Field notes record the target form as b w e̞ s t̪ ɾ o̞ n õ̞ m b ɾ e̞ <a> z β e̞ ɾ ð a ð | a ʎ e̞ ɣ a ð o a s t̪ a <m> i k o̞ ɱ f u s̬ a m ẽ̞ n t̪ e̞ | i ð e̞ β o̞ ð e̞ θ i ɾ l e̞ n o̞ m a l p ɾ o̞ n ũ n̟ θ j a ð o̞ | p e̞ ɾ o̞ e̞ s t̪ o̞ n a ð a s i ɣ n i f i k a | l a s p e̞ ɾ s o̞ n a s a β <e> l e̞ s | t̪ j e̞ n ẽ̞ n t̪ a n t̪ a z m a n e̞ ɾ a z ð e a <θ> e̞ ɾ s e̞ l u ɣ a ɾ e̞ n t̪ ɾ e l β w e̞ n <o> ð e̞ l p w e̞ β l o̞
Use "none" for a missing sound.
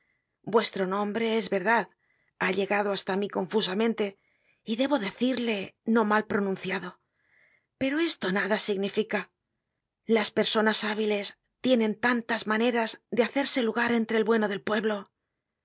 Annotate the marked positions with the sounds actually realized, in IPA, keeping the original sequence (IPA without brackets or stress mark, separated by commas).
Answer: e, m, i, θ, o